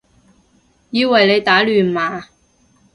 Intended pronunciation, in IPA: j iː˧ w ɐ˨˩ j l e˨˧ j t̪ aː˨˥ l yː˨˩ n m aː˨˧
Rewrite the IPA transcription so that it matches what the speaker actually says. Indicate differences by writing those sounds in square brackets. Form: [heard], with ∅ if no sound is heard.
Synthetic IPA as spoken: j iː˧ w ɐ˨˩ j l e˨˧ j t̪ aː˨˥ l yː˨˩ n m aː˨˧